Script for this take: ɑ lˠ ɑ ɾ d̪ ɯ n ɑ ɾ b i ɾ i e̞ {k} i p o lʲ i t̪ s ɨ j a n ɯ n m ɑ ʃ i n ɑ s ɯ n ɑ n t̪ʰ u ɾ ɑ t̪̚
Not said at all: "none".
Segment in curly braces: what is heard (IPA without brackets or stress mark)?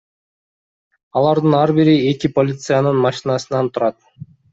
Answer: k